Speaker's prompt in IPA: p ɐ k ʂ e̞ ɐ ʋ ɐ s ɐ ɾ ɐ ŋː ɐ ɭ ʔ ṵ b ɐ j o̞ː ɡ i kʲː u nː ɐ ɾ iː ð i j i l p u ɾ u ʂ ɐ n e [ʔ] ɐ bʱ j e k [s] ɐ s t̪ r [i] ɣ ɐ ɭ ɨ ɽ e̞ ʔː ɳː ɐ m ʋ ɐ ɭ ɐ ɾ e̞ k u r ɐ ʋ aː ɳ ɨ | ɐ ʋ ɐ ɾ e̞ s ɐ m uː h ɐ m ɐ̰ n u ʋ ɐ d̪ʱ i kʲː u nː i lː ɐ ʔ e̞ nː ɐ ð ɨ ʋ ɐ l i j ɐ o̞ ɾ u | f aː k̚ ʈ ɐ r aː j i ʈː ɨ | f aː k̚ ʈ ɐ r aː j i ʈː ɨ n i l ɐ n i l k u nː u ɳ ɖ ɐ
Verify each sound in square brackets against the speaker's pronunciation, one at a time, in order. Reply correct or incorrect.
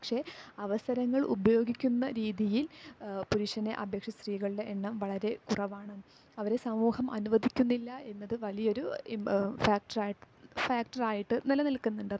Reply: correct, incorrect, incorrect

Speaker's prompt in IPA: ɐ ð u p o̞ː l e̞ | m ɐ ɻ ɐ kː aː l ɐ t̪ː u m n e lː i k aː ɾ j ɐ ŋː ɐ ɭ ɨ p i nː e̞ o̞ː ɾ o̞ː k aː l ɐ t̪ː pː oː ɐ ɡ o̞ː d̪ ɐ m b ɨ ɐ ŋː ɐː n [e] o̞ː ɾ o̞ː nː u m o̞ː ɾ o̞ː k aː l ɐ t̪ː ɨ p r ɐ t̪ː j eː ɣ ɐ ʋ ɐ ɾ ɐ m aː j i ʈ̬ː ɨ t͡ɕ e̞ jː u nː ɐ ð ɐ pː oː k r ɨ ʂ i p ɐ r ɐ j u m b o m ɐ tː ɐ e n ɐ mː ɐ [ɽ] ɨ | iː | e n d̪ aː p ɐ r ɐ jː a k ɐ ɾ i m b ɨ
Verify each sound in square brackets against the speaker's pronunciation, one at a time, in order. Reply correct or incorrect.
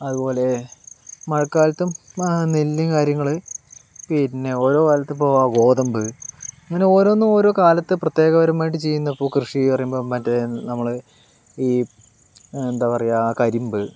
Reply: correct, incorrect

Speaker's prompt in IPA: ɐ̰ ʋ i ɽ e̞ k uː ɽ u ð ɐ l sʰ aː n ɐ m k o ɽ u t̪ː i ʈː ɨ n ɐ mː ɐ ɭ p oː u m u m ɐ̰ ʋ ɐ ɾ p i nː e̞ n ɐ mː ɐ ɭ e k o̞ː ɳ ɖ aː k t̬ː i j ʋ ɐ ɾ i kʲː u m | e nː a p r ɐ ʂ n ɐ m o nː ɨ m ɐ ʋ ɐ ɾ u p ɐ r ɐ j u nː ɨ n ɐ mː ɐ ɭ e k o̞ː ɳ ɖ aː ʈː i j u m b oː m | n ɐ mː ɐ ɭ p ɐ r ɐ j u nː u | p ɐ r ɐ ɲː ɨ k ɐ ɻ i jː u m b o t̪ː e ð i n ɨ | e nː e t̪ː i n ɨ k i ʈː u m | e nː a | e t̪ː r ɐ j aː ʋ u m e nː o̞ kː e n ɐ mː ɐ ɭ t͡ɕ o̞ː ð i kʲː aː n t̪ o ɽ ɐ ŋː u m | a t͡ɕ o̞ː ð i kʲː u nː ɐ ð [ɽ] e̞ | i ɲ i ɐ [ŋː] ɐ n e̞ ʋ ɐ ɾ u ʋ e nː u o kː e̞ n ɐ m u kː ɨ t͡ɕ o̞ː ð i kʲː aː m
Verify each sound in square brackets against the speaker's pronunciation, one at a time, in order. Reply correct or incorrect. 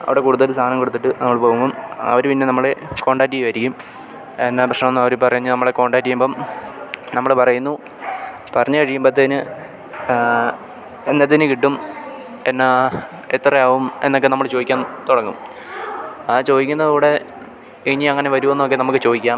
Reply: correct, correct

